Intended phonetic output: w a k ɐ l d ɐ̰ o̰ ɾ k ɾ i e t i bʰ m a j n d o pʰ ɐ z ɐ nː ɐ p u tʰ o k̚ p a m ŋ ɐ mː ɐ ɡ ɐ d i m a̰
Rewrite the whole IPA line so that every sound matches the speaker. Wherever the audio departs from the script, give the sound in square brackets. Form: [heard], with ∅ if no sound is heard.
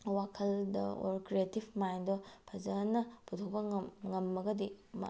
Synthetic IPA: w a [kʰ] ɐ l d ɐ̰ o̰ ɾ k ɾ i e t i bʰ m a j n d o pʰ ɐ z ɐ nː ɐ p u tʰ o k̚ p [ɐ] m ŋ ɐ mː ɐ ɡ ɐ d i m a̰